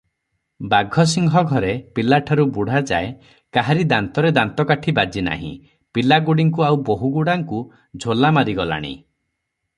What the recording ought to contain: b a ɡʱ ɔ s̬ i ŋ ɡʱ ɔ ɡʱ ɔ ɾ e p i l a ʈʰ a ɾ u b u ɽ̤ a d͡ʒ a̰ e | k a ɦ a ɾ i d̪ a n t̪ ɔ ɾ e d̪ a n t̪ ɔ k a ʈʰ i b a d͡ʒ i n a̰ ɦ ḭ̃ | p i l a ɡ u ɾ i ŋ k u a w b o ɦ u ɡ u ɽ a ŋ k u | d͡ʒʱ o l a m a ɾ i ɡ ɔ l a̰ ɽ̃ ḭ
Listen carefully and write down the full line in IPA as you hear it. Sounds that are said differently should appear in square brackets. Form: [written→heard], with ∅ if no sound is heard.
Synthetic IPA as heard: b a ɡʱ ɔ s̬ i ŋ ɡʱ ɔ ɡʱ ɔ ɾ e p i l a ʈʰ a ɾ u b u ɽ̤ a d͡ʒ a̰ e | k a ɦ a ɾ i d̪ a n t̪ ɔ ɾ e d̪ a n t̪ ɔ k a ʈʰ i b a d͡ʒ i n a̰ ɦ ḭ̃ | p i l a ɡ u [ɾ→ɽ] i ŋ k u a w b o ɦ u ɡ u ɽ a ŋ k u | d͡ʒʱ o l a m a ɾ i ɡ ɔ l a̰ ɽ̃ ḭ